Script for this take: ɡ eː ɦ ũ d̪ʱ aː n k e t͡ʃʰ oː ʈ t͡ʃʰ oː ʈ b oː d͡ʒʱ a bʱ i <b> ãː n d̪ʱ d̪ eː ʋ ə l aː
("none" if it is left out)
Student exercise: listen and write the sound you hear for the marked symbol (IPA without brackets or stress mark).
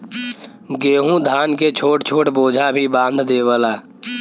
b